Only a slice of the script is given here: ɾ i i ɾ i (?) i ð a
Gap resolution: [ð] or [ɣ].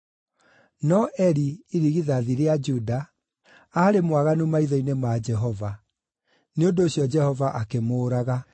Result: ɣ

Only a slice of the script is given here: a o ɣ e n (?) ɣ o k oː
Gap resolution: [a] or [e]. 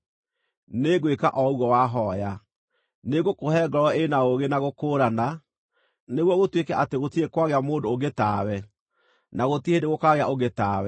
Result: a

